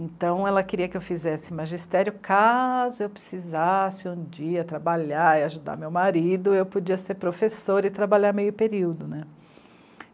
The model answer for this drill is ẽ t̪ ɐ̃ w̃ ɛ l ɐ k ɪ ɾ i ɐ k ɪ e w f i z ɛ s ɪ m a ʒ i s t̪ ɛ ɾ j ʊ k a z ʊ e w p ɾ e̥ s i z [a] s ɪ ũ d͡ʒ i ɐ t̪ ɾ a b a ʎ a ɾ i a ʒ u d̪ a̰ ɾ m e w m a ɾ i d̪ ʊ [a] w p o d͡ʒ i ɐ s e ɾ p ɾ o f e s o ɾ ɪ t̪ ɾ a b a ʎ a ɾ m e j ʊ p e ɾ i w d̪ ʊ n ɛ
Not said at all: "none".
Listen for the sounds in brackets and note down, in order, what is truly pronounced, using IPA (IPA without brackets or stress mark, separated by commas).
a, e